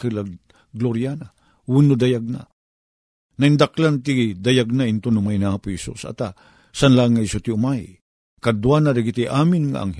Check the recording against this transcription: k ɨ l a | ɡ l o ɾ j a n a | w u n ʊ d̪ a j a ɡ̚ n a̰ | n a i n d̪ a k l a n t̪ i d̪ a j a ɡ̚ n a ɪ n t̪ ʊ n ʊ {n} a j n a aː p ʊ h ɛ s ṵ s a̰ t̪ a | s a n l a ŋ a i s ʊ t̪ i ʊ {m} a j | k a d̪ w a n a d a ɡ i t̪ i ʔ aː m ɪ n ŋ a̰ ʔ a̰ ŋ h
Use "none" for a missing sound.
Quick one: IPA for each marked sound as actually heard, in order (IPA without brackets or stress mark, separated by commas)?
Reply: m, m